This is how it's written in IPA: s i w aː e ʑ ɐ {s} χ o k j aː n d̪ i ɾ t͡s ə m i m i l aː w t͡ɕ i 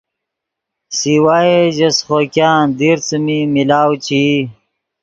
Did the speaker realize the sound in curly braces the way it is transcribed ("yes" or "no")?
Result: yes